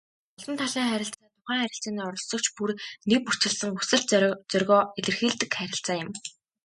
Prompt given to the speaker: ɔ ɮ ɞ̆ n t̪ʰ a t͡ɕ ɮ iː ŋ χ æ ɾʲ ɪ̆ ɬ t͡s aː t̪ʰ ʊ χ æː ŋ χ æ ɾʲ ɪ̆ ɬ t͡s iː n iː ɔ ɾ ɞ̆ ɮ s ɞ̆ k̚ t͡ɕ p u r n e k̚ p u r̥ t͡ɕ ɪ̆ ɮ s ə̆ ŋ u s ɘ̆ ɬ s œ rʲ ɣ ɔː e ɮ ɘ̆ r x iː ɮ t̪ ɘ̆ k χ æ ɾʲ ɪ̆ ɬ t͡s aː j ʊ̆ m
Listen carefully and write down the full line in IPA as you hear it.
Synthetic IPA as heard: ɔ ɮ ɞ̆ n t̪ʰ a ɮ iː ŋ χ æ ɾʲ ɪ̆ ɬ t͡s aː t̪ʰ ʊ χ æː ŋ χ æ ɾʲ ɪ̆ ɬ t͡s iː n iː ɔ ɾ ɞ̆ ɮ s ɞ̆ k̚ t͡ɕ p u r n e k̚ p u r̥ t͡ɕ ɪ̆ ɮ s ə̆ ŋ u s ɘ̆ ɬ t͡s œ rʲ ɣ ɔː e ɮ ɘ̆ r x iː ɮ t̪ ɘ̆ k χ æ ɾʲ ɪ̆ ɬ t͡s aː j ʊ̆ m